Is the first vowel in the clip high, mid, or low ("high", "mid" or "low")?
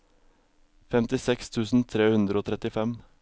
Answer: mid